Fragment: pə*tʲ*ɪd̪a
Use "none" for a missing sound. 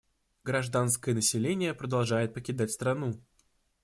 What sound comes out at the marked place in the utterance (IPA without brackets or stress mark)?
kʲ